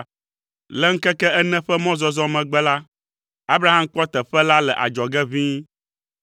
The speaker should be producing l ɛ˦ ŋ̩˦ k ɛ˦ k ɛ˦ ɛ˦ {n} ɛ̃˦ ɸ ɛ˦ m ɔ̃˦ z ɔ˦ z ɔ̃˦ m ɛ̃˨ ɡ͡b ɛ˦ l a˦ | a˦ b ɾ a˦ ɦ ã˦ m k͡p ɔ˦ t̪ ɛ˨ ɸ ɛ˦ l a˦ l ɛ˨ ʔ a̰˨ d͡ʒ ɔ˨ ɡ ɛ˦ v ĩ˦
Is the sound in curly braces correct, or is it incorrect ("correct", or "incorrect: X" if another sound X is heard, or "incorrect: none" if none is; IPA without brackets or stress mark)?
correct